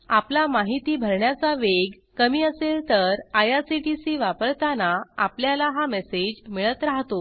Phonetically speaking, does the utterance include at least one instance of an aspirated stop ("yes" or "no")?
no